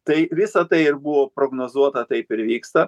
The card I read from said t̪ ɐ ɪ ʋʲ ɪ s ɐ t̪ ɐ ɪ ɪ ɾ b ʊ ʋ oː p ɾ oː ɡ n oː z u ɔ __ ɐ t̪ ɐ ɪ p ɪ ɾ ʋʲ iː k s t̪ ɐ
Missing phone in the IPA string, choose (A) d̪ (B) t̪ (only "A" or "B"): B